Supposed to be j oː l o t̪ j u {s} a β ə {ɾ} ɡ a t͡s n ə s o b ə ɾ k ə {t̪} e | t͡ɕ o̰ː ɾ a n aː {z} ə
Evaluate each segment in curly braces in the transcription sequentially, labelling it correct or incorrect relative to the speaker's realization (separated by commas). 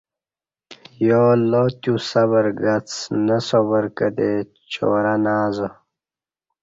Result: correct, correct, incorrect, correct